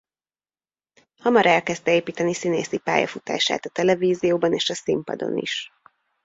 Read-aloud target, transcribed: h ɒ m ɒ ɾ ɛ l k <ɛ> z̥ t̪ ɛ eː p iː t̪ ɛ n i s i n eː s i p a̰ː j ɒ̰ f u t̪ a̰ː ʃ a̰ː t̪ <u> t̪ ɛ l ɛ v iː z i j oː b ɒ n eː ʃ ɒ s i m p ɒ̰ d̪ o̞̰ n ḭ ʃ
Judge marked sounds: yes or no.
yes, no

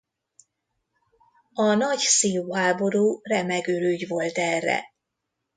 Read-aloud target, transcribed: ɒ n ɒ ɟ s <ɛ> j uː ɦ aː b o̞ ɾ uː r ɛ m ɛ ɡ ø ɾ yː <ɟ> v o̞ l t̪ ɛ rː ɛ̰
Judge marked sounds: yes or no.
no, yes

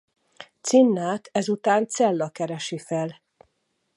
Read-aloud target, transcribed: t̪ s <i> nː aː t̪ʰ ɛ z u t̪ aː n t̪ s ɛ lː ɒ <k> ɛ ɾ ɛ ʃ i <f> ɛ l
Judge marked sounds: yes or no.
yes, yes, yes

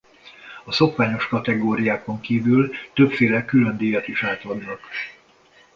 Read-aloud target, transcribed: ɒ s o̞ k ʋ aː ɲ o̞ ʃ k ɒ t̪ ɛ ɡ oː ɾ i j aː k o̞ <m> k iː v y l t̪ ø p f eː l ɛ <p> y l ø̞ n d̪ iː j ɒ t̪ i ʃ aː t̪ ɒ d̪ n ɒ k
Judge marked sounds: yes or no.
no, no

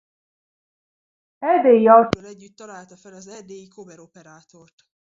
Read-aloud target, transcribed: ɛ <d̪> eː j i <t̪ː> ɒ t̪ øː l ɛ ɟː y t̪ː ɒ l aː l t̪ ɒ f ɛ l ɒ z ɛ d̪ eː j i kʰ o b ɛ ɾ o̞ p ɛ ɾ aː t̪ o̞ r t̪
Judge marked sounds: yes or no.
yes, no

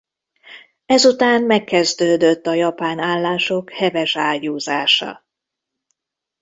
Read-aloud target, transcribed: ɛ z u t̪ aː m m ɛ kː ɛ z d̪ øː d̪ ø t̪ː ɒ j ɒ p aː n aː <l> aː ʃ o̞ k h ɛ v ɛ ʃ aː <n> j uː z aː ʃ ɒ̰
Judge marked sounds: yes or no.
no, no

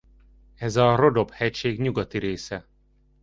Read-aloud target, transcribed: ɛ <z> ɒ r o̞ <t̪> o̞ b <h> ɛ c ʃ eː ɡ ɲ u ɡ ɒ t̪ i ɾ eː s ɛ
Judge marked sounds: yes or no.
yes, no, yes

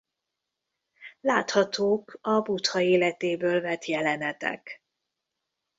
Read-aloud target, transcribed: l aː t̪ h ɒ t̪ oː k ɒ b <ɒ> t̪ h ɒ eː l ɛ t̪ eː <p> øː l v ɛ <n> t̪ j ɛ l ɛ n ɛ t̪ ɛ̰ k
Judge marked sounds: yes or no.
no, no, no

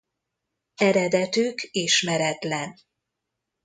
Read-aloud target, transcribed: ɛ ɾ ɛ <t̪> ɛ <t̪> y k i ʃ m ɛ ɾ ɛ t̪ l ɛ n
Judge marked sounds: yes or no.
no, yes

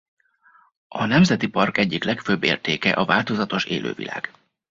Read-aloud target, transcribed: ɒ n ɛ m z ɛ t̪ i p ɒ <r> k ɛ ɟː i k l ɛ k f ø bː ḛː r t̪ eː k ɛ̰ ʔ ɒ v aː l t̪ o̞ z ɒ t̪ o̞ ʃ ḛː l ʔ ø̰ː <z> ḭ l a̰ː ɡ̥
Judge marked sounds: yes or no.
yes, no

